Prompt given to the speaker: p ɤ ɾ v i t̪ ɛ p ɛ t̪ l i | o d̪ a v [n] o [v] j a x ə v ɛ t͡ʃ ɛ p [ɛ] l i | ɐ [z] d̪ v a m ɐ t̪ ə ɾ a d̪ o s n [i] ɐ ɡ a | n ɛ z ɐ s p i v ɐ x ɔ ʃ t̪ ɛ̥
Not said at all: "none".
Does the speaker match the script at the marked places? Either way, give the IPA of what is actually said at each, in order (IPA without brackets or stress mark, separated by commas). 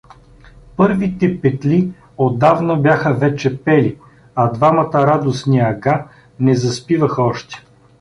n, b, ɛ, none, i